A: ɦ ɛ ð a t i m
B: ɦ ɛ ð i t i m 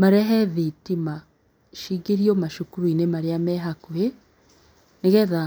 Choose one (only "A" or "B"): B